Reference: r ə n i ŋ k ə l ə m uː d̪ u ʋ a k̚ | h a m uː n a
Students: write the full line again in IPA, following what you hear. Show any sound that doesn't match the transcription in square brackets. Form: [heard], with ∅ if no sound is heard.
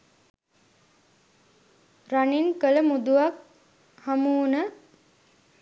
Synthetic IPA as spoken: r [a] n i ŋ k ə l ə m [u] d̪ u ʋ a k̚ | h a m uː n [ə]